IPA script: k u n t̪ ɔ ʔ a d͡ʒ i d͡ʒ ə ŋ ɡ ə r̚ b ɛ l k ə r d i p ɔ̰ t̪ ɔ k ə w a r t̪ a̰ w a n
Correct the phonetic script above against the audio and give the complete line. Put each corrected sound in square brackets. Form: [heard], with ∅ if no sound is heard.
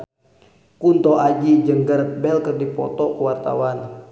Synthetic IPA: k u n t̪ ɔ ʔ a d͡ʒ i d͡ʒ ə ŋ ɡ ə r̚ b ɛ l k ə r d i p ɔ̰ t̪ ɔ k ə w a r t̪ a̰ w a n